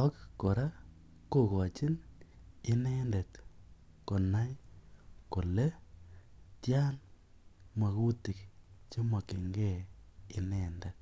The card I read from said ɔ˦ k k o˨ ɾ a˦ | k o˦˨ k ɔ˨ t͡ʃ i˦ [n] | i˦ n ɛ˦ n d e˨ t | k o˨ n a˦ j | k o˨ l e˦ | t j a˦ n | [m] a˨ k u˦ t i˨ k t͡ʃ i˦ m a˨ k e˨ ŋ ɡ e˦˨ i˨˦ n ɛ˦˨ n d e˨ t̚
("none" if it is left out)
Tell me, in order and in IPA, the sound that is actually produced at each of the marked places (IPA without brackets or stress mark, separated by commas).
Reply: n, m